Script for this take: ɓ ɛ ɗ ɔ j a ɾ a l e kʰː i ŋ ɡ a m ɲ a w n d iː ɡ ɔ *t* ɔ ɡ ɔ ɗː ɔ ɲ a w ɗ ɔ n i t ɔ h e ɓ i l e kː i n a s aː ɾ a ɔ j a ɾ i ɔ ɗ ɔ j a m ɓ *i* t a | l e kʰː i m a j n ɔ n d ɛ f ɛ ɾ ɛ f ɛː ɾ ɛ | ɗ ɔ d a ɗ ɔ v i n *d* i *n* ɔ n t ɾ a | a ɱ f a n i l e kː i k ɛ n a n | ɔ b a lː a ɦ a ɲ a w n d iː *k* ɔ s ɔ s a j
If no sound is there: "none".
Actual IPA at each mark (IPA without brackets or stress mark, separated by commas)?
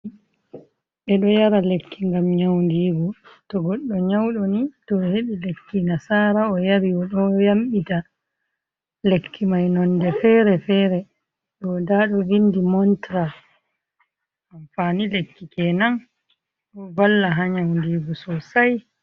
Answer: t, i, d, m, ɡ